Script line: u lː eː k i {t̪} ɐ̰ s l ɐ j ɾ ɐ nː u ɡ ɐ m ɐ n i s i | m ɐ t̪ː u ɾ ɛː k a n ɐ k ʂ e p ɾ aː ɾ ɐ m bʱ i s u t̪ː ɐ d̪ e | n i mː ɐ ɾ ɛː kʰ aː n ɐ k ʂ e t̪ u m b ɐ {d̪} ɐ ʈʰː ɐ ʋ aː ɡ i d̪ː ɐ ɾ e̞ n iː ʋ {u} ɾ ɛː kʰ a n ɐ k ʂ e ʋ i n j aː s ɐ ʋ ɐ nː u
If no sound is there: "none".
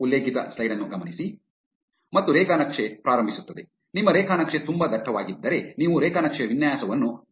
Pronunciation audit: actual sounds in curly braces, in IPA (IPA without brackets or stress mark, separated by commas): t̪, d̪, u